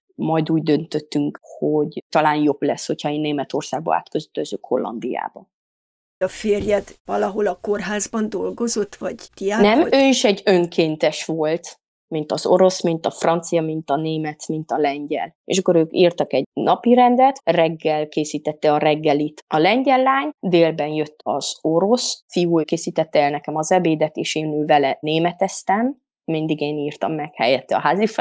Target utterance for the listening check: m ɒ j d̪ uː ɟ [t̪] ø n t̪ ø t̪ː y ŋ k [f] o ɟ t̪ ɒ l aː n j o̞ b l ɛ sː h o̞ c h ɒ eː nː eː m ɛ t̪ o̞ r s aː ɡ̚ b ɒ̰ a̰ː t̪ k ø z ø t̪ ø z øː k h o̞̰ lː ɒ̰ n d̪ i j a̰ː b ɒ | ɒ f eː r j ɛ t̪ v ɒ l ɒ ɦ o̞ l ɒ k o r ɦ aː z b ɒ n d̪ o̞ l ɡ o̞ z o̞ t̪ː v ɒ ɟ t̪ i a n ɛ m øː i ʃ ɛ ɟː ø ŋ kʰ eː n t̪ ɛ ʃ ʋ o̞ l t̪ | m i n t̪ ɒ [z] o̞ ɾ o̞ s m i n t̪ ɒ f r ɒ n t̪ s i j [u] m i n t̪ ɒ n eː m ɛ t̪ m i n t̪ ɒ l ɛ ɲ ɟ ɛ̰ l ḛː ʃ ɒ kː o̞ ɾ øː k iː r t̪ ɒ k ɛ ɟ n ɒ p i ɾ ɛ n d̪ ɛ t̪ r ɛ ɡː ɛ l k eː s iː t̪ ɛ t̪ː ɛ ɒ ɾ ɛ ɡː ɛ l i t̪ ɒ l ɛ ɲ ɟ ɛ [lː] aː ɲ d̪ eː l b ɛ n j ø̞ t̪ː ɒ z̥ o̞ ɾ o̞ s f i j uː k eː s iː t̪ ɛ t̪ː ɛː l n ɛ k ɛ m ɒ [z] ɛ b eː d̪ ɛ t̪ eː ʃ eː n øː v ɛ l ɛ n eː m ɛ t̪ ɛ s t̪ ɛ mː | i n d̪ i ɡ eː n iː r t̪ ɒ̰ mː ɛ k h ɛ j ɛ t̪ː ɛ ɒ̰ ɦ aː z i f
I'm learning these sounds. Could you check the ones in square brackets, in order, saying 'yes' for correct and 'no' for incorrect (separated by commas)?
no, no, yes, no, yes, yes